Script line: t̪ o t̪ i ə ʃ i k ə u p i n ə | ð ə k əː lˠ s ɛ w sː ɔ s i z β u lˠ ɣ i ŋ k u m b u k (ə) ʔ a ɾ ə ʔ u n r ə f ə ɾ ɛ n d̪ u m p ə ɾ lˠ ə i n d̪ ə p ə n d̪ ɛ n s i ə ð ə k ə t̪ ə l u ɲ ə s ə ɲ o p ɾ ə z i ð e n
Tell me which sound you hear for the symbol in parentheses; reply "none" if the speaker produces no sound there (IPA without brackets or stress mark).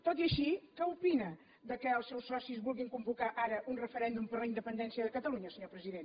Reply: a